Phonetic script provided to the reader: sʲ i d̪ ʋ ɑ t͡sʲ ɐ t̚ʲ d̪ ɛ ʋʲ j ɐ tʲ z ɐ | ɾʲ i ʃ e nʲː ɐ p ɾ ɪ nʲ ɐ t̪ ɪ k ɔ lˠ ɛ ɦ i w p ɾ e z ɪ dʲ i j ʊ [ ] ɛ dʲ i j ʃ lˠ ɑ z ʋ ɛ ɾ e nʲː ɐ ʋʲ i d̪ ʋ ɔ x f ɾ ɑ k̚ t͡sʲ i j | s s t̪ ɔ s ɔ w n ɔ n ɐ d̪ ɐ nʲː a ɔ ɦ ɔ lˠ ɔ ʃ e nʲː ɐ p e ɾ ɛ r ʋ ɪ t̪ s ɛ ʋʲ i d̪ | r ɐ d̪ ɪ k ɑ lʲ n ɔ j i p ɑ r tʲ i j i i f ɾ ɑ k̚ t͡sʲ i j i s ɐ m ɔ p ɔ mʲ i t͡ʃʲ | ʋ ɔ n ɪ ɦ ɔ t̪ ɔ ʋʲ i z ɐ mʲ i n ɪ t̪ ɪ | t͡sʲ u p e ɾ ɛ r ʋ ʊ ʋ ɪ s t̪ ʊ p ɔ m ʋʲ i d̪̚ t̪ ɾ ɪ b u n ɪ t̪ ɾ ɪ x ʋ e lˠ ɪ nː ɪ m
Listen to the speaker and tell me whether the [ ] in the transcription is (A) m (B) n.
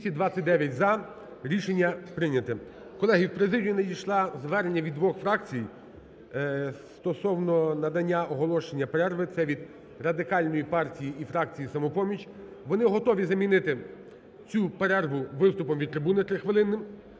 B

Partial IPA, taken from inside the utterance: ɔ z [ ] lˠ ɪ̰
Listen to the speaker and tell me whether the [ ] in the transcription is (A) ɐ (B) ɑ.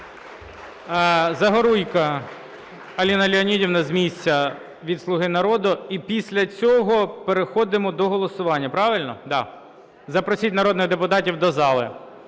B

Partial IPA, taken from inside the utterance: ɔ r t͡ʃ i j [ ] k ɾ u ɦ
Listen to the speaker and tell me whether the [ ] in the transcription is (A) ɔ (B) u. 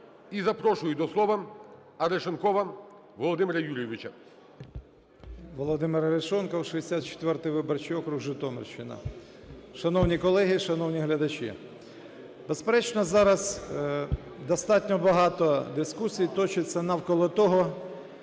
A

